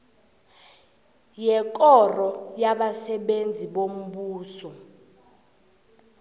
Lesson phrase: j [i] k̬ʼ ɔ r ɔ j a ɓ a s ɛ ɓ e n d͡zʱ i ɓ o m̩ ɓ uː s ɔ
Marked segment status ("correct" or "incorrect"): incorrect